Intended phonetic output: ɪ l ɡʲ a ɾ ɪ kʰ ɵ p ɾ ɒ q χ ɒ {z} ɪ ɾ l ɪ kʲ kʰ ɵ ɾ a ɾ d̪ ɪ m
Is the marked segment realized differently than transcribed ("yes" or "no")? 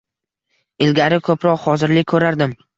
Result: no